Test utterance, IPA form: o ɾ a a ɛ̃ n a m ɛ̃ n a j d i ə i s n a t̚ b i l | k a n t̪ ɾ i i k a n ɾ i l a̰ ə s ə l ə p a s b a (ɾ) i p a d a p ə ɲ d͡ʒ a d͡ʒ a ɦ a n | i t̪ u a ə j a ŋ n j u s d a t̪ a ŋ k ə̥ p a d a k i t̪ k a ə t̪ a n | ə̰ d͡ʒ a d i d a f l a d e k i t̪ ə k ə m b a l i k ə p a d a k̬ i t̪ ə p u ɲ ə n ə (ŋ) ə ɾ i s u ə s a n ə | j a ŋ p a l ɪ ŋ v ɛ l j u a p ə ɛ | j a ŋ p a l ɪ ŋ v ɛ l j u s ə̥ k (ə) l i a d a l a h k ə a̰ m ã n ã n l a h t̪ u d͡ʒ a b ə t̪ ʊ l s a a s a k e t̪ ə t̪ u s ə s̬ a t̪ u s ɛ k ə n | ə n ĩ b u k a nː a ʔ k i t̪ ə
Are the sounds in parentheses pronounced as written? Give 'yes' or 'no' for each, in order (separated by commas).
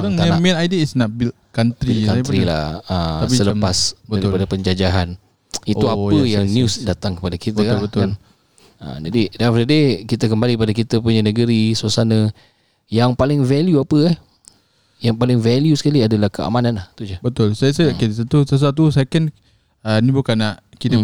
yes, no, no